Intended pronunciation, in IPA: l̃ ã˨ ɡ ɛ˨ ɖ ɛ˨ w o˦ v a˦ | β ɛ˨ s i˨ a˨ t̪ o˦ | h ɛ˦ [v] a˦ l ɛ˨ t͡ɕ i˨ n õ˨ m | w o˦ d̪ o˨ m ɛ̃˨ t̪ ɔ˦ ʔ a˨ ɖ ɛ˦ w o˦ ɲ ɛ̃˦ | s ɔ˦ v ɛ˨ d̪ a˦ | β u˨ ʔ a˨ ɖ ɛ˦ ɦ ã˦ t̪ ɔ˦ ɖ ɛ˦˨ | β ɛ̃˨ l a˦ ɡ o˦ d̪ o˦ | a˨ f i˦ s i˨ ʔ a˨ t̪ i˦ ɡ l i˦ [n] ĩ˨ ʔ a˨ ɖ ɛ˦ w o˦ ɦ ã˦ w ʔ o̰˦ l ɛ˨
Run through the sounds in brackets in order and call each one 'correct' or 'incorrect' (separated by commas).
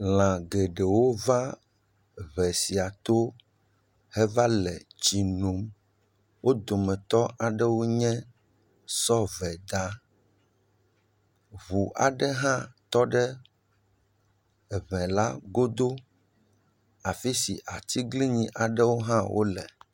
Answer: correct, incorrect